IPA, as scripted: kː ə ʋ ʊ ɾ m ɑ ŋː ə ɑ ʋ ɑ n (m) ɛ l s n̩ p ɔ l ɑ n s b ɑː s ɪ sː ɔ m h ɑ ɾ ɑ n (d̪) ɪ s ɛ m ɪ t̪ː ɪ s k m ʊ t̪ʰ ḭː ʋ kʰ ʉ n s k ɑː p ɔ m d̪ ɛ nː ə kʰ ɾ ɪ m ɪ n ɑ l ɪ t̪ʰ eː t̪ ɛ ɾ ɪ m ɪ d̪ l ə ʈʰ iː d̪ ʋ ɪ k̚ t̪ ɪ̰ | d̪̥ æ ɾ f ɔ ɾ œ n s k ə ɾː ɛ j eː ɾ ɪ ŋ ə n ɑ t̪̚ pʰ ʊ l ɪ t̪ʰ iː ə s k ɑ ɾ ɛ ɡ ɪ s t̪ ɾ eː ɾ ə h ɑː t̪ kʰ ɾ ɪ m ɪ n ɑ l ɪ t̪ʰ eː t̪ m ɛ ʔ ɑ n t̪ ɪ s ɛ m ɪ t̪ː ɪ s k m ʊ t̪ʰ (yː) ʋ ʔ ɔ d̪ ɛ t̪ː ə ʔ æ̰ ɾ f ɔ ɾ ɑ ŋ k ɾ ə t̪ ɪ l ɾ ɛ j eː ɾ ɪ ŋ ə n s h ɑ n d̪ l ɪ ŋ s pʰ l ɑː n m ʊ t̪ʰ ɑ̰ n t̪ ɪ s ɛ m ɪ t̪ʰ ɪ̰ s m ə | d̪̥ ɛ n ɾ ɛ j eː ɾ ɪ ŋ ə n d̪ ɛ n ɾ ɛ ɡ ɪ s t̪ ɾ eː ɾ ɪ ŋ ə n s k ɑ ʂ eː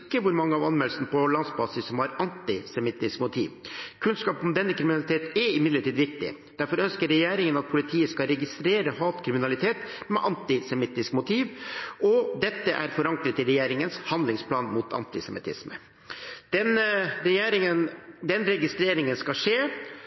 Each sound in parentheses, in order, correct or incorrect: correct, incorrect, incorrect

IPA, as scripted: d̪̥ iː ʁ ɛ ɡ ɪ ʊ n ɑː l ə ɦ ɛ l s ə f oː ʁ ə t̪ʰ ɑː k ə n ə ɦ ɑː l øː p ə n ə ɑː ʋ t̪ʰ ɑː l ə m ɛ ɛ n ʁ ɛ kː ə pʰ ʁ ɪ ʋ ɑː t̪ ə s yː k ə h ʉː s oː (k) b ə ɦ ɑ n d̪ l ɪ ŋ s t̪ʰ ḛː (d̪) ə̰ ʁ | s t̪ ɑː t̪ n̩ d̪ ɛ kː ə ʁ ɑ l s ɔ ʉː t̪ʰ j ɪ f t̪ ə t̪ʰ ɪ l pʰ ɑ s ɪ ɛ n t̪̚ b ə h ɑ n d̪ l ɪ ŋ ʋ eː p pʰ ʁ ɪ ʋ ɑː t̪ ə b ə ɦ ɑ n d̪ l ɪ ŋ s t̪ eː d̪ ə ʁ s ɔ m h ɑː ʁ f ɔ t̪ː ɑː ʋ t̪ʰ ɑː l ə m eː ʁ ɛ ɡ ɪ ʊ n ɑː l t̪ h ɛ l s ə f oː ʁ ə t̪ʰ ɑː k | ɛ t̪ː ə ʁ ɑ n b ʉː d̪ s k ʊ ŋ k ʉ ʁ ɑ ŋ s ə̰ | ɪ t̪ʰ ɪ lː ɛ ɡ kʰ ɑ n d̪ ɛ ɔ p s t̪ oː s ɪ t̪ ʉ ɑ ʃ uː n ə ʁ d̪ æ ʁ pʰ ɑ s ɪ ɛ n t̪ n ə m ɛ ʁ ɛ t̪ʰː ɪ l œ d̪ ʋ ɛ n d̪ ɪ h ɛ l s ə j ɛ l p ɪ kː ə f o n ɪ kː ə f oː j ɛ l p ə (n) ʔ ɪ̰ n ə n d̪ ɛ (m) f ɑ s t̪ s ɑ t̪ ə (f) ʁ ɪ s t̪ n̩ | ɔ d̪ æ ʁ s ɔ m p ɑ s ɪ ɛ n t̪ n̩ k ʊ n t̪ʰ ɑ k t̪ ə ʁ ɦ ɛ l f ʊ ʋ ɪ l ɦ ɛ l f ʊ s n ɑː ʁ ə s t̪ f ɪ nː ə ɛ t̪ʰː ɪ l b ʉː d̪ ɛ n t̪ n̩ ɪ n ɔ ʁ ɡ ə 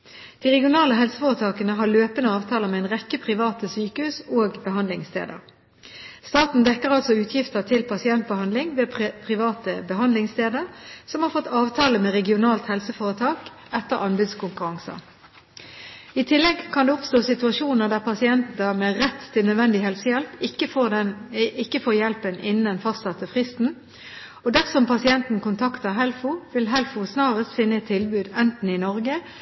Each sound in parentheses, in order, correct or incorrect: incorrect, correct, correct, incorrect, correct

